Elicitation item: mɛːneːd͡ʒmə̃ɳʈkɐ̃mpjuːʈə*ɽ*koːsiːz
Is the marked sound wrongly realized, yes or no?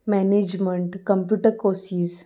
yes